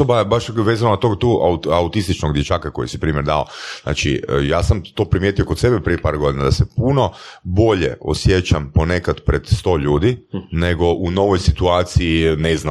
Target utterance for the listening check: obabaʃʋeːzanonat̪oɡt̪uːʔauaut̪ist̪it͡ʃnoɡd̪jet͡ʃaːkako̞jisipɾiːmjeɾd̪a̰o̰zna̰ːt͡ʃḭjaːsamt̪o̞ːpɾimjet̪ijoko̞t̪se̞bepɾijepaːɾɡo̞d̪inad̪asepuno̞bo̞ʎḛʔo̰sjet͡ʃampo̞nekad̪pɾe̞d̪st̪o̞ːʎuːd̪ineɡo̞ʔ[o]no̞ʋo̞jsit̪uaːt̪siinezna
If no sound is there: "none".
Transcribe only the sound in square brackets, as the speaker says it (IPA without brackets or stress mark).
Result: u